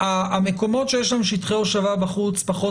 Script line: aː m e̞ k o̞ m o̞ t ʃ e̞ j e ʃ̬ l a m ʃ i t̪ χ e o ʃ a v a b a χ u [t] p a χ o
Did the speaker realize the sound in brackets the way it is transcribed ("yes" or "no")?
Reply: no